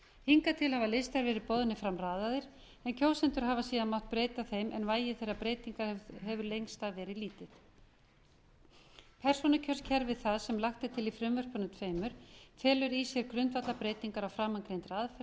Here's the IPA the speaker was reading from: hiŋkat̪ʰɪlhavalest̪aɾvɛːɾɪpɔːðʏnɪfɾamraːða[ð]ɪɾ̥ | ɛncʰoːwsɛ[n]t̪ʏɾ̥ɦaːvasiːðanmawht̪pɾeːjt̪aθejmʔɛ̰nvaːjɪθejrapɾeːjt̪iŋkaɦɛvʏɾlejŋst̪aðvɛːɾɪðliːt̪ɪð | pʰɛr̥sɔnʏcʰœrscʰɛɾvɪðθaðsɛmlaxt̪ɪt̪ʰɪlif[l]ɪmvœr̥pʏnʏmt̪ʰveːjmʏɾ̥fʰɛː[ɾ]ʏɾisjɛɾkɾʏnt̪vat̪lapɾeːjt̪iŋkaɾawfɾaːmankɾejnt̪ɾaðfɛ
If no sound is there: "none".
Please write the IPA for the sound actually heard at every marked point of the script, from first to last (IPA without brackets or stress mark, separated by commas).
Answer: ð, n, ɾ, l